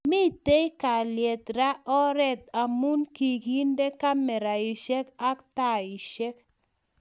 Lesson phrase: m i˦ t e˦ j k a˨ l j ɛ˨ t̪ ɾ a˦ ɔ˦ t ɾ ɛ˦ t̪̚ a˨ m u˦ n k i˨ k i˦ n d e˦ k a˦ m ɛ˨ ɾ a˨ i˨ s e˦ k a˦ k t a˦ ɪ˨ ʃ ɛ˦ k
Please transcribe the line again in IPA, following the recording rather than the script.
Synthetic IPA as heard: m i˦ t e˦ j k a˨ l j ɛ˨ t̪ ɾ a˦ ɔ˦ ɾ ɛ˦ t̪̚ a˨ m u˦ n k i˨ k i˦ n d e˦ k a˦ m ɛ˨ ɾ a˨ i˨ ʃ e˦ k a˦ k t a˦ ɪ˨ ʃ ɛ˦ k